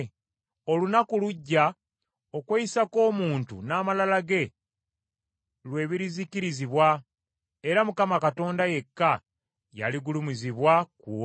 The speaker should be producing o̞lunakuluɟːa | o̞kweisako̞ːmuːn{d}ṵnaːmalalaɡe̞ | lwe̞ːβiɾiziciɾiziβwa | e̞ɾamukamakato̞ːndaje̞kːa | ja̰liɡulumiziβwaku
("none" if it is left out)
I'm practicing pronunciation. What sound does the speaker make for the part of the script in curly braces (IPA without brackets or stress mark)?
t